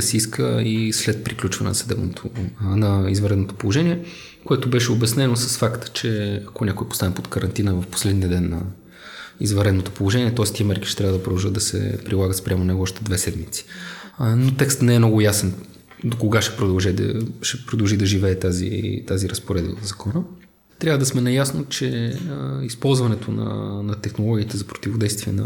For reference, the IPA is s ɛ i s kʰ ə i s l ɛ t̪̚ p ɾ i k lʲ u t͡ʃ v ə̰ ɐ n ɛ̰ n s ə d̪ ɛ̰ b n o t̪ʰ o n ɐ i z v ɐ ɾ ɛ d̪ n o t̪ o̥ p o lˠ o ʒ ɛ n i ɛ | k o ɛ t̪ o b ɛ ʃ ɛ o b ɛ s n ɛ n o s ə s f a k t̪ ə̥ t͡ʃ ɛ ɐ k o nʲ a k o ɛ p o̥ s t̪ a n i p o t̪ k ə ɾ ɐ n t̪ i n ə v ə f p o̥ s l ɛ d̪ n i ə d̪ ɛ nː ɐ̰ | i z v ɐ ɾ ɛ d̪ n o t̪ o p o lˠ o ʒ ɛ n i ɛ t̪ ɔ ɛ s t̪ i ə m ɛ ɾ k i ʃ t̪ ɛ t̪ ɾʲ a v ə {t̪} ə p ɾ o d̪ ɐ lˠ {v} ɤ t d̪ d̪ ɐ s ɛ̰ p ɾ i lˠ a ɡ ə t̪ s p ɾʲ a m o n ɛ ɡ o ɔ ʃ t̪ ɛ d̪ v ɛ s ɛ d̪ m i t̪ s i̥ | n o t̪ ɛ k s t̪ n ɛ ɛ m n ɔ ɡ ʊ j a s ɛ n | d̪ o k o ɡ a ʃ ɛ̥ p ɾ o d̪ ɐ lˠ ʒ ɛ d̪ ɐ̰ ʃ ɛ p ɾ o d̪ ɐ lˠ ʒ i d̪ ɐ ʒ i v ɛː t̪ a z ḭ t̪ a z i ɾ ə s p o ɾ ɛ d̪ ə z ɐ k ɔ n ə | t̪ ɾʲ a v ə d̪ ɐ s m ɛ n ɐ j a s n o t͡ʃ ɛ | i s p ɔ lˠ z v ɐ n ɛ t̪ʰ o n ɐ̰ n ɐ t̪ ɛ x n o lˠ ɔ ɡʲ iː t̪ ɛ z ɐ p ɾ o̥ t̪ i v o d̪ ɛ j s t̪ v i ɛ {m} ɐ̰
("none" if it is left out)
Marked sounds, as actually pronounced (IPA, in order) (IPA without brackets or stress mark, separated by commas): d̪, ʒ, n